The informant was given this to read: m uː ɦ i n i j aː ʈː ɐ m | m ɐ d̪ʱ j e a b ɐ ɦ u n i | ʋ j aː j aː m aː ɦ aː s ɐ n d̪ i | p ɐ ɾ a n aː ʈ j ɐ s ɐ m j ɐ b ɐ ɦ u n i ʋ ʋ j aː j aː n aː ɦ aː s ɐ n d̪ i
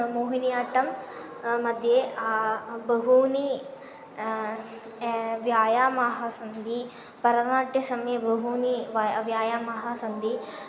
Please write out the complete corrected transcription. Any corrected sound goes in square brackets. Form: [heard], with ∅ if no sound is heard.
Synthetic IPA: m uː ɦ i n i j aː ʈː ɐ m | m ɐ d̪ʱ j e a b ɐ ɦ u n i | ʋ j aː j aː m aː ɦ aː s ɐ n d̪ i | p ɐ ɾ [ɐ] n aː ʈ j ɐ s ɐ m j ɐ b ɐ ɦ u n i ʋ ʋ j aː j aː [m] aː ɦ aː s ɐ n d̪ i